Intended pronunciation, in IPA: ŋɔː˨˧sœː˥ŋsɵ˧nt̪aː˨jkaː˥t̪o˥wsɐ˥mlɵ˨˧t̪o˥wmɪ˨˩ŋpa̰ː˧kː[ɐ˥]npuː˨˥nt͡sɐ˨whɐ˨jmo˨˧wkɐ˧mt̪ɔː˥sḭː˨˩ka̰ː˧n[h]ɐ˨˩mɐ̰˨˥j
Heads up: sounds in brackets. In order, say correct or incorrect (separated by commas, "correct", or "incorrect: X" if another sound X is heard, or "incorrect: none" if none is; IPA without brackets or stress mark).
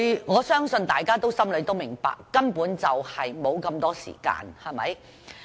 correct, correct